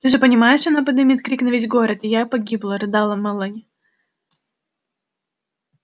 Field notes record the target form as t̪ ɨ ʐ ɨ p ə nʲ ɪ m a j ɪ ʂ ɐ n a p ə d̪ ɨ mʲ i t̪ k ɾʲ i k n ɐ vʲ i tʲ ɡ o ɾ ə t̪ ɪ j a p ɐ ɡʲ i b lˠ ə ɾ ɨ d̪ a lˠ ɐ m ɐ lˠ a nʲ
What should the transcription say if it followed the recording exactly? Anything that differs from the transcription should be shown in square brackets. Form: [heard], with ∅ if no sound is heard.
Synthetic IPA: t̪ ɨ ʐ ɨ p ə nʲ ɪ m a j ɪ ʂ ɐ n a p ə d̪ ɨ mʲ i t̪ k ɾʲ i k n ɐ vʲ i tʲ ɡ o ɾ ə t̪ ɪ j a p ɐ ɡʲ i b lˠ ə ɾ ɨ d̪ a lˠ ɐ m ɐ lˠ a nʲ